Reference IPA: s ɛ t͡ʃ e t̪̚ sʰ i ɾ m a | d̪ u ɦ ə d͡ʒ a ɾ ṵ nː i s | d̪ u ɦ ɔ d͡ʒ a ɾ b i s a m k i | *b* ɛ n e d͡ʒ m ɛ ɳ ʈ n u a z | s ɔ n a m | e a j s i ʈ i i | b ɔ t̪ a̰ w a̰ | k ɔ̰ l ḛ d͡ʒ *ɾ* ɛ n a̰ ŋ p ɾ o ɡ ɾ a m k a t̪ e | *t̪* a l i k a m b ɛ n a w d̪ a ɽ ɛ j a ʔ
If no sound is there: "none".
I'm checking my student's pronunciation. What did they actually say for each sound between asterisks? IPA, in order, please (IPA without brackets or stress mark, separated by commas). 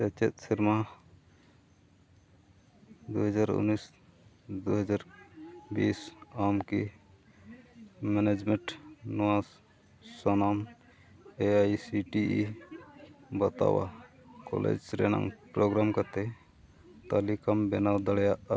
m, ɾ, t̪